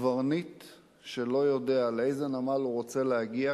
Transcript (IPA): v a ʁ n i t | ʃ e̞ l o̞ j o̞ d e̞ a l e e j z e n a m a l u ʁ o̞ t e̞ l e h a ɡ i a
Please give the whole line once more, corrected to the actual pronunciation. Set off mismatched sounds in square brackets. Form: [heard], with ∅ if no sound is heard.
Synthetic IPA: v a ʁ n i t | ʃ e̞ l o̞ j o̞ d e̞ a l e e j z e n a m a l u ʁ o̞ [t͡s] e̞ l e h a ɡ i a